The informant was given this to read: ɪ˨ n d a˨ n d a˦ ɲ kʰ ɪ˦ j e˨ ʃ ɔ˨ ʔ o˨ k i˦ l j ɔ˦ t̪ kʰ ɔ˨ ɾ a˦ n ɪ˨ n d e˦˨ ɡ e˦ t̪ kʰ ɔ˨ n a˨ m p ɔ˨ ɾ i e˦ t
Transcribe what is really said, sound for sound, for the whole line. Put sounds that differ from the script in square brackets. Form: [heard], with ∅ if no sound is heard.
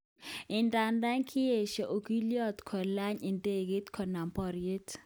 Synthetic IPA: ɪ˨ n d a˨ n d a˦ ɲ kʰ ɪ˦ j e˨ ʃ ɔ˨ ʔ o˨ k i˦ l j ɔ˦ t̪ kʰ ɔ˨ [l] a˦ [ɲ] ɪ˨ n d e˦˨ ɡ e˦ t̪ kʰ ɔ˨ n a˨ m p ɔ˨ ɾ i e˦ t